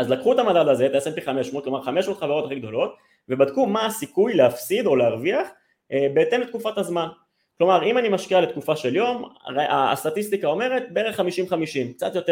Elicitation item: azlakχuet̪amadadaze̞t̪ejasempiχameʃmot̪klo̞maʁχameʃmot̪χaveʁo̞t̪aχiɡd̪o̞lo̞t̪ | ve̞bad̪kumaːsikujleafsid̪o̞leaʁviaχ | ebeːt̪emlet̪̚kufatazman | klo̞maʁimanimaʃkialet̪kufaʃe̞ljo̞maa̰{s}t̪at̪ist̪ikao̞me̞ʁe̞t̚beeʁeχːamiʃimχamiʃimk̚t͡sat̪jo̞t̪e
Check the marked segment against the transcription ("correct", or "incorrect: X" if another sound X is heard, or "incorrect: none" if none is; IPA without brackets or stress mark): correct